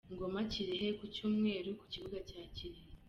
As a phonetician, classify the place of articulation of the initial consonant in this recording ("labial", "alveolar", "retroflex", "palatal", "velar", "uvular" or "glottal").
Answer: velar